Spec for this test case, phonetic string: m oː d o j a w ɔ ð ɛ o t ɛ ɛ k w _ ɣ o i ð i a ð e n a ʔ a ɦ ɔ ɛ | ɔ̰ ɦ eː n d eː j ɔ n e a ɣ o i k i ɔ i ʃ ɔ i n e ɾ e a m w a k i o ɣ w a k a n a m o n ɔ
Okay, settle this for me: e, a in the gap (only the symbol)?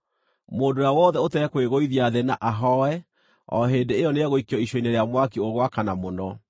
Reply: e